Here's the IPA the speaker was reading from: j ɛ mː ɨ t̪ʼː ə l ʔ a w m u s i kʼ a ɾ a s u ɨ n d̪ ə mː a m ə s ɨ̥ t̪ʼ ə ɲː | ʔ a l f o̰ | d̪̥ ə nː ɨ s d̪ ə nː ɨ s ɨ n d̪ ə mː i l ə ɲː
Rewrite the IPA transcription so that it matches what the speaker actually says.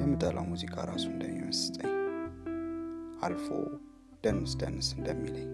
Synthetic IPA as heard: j ɛ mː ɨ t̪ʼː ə l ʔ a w m u z i kʼ a ɾ a s u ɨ n d̪ ə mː i m ə s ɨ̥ t̪ʼ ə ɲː | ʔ a l f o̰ | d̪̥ ə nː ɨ s d̪ ə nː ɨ s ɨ n d̪ ə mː i l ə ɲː